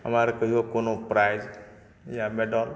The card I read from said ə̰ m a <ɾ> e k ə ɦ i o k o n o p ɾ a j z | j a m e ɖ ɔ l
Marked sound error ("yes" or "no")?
no